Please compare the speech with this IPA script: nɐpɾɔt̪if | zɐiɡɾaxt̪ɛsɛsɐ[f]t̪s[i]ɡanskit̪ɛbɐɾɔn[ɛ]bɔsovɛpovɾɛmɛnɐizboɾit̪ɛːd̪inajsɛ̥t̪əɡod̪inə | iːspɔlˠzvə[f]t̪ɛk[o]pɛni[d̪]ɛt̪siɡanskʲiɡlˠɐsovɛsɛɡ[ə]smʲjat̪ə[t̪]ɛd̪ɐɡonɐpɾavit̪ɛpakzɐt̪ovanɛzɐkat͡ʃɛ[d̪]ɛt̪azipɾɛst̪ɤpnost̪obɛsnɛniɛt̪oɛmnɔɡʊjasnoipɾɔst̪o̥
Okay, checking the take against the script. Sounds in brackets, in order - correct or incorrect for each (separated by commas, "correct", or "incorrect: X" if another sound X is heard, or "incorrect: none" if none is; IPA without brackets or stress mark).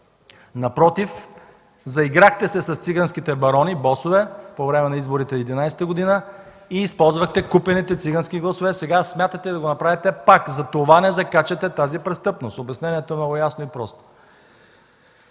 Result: incorrect: s, correct, incorrect: i, incorrect: x, incorrect: u, incorrect: t̪, incorrect: a, correct, incorrect: t̪